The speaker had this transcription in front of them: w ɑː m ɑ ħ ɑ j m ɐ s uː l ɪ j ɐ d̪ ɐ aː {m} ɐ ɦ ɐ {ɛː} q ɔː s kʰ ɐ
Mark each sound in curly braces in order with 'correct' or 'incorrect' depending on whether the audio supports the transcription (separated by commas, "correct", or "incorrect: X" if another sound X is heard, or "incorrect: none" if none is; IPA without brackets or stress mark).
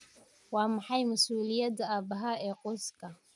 incorrect: b, correct